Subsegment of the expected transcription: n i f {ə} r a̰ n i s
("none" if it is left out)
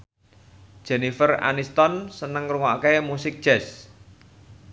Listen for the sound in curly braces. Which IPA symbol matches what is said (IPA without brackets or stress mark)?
ə